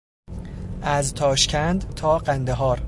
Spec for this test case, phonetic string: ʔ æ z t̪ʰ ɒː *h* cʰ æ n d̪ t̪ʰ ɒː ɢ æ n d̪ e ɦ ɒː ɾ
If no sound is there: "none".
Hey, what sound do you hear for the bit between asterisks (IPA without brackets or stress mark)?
ʃ